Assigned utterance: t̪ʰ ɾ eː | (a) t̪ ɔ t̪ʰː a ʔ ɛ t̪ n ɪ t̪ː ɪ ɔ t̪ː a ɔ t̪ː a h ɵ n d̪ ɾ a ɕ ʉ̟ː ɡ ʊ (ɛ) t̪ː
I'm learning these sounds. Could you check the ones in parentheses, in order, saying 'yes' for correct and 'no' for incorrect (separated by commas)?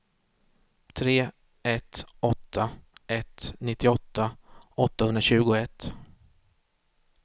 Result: no, yes